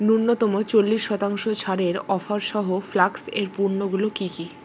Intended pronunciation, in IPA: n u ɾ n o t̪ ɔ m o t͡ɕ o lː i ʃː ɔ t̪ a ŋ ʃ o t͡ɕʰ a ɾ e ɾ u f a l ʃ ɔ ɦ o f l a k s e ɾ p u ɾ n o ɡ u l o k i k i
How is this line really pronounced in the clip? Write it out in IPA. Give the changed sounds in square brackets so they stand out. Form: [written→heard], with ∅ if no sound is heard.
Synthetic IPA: n u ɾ n o t̪ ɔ m o t͡ɕ o lː i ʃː ɔ t̪ a ŋ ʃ o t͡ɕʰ a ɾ e ɾ [u→ɔ] f a [l→ɾ] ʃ ɔ ɦ o f l a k s e ɾ p u ɾ n o ɡ u l o k i k i